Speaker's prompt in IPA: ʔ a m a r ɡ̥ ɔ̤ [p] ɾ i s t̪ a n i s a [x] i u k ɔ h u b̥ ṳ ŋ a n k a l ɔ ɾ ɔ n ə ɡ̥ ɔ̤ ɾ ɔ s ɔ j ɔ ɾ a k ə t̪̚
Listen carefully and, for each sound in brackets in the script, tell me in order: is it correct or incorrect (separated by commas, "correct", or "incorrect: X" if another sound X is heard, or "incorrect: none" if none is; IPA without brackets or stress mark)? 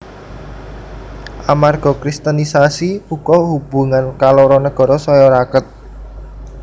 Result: incorrect: k, incorrect: s